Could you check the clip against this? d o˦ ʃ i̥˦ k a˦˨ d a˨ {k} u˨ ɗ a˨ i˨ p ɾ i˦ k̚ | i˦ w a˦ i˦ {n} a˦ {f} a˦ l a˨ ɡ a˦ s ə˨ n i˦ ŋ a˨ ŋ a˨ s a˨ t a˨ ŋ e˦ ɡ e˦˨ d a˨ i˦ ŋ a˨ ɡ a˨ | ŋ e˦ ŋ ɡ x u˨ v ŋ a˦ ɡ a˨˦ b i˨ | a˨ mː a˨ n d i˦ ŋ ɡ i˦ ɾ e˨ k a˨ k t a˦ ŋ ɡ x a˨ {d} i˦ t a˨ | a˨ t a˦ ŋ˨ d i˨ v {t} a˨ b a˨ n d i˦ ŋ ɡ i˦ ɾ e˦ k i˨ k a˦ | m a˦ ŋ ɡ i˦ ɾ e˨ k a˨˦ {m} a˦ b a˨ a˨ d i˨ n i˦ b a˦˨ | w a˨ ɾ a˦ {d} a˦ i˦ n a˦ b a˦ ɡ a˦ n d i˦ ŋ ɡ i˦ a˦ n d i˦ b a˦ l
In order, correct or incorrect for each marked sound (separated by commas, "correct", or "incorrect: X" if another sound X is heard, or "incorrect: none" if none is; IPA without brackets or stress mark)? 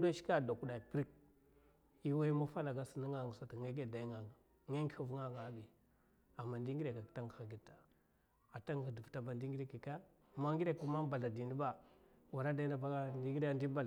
correct, incorrect: m, correct, incorrect: ɡ, correct, correct, correct